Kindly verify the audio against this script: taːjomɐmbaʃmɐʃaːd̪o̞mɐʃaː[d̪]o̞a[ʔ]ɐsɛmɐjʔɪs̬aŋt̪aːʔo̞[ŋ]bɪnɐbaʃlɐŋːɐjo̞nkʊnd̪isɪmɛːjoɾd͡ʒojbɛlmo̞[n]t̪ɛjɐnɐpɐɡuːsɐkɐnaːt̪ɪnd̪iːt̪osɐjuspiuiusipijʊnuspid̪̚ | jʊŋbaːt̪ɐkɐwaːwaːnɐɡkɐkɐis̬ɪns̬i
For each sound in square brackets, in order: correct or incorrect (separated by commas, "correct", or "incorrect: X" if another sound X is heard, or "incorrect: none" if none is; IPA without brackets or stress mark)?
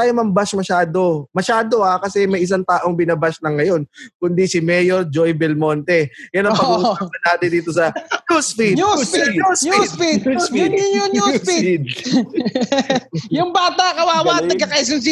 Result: correct, incorrect: k, correct, correct